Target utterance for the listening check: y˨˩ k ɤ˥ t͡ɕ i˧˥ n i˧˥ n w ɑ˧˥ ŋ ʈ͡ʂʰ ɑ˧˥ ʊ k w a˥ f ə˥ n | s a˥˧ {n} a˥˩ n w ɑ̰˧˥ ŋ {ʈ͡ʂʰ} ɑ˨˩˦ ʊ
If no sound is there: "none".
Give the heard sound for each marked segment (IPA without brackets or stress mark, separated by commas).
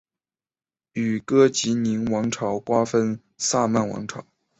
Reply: m, ʈ͡ʂʰ